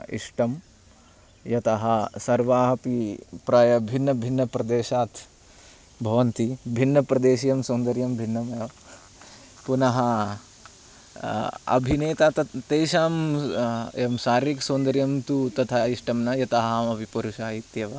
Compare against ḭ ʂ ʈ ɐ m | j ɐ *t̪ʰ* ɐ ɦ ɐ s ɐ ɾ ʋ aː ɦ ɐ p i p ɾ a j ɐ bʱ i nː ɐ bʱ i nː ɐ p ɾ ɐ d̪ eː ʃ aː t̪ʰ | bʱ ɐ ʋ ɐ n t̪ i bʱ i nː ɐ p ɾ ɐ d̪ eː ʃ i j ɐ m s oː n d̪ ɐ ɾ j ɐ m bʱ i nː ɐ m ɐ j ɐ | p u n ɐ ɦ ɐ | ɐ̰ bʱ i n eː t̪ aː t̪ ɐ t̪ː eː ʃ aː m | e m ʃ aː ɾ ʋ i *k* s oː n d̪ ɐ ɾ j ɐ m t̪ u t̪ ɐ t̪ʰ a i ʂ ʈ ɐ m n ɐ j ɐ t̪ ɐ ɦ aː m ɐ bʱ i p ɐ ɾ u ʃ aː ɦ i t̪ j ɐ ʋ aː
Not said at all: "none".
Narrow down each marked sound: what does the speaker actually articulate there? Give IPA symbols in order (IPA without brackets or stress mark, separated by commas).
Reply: t̪, k